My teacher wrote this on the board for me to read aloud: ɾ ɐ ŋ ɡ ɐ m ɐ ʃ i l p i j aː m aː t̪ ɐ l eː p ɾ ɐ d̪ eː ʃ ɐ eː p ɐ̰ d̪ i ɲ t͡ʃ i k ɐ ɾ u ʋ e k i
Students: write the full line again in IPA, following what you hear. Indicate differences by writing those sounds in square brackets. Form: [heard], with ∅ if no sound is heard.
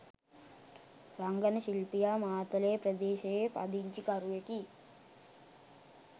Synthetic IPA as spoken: ɾ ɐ ŋ ɡ ɐ [n] ɐ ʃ i l p i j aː m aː t̪ ɐ l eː p ɾ ɐ d̪ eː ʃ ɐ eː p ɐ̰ d̪ i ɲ t͡ʃ i k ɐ ɾ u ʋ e k i